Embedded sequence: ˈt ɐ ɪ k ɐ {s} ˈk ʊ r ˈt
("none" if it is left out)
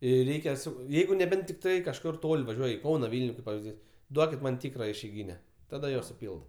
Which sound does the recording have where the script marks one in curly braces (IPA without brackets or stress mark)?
ʃ